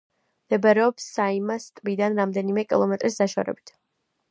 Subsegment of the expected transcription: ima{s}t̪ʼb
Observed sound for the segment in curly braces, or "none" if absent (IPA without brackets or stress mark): s